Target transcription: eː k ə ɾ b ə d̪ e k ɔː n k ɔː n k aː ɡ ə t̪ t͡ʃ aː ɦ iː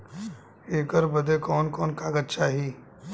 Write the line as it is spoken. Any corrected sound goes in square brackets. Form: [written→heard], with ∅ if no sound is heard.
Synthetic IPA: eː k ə ɾ b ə d̪ e k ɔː n k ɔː n k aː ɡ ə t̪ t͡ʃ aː ɦ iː